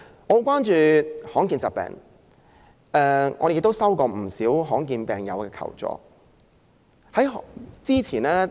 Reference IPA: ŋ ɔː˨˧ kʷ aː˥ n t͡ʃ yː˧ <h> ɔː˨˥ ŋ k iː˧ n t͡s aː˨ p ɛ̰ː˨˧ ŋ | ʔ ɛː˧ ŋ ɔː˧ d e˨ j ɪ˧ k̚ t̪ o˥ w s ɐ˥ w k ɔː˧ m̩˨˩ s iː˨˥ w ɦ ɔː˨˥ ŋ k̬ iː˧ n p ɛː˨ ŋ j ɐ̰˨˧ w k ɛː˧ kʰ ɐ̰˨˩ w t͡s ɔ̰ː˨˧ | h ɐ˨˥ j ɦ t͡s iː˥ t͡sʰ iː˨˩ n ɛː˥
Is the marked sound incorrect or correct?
correct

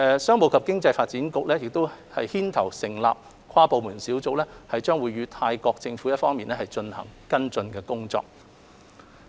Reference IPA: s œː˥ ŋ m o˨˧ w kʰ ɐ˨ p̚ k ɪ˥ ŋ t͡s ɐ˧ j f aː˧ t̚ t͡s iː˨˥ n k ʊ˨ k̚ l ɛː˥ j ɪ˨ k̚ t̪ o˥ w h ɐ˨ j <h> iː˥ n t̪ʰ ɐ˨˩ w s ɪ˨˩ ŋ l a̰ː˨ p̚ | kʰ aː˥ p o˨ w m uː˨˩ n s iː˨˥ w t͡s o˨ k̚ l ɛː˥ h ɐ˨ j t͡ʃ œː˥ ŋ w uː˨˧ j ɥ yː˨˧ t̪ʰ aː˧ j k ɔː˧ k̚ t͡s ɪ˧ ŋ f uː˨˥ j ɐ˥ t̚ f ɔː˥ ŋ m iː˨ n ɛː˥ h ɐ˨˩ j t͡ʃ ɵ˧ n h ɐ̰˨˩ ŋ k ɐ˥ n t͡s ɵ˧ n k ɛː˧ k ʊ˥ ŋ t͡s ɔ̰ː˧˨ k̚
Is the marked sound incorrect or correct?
correct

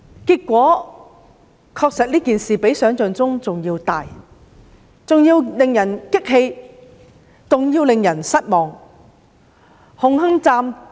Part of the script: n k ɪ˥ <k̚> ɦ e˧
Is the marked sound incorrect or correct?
correct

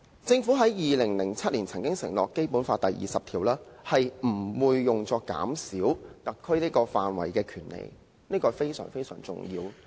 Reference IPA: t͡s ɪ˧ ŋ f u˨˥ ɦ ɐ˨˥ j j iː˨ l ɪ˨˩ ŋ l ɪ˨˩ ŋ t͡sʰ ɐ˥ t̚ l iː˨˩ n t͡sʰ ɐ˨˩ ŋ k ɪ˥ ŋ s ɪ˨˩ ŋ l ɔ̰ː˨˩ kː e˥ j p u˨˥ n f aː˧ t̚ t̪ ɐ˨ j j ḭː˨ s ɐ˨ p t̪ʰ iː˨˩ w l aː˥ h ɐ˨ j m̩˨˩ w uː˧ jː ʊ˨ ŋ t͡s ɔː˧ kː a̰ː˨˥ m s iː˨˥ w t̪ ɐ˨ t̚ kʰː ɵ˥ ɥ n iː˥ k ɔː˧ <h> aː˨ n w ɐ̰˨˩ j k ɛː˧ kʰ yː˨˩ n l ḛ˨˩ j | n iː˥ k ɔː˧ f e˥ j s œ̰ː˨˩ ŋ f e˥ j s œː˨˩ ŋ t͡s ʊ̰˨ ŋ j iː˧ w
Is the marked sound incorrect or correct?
incorrect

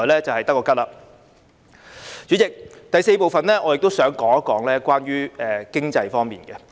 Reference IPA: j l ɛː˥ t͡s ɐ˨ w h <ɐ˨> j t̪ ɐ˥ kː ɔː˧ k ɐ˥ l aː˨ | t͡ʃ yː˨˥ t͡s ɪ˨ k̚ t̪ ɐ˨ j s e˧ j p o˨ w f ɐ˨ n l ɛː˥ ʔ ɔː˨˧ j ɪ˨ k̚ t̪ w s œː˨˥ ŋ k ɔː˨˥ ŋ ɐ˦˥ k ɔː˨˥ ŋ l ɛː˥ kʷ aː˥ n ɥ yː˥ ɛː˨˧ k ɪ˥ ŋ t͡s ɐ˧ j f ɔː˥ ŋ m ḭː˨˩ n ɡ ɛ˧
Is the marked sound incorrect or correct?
correct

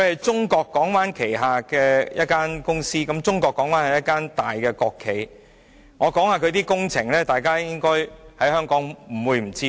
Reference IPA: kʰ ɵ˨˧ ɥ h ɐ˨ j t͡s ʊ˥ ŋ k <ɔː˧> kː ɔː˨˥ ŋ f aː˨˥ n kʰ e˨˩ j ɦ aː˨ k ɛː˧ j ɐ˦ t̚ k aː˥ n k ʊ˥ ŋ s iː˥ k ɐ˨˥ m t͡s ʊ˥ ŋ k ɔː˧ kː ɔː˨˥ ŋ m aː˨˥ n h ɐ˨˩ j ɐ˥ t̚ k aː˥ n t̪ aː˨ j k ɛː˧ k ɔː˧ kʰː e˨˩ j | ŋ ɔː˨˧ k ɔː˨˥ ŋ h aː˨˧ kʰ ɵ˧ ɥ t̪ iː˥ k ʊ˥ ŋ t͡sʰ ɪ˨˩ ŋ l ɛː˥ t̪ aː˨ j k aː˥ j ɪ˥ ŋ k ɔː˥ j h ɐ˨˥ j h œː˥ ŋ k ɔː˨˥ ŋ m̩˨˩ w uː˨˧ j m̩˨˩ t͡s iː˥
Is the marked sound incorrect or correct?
correct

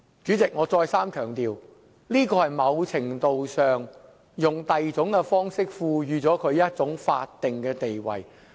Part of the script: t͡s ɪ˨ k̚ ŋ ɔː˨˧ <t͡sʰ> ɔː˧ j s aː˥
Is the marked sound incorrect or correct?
incorrect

